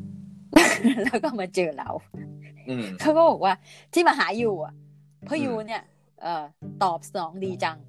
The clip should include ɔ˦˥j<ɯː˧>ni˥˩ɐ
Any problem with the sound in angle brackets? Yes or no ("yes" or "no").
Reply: yes